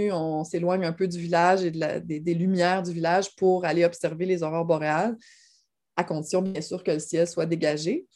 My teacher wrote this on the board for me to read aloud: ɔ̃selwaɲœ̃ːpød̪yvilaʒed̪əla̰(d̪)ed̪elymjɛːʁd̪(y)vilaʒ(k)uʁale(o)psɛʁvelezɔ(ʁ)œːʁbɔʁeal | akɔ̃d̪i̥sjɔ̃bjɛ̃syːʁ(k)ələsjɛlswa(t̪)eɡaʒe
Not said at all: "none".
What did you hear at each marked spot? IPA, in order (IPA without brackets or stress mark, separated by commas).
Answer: d̪, y, p, ɔ, ʁ, k, d̪